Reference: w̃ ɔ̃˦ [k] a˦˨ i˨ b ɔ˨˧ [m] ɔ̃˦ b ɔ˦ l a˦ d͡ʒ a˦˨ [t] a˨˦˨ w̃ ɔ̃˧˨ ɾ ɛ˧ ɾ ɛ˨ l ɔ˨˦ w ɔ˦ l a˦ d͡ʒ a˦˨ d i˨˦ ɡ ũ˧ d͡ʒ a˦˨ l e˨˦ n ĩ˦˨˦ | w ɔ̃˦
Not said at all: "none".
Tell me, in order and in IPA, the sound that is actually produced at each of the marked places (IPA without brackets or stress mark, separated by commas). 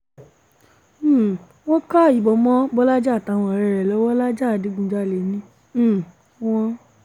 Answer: k, m, t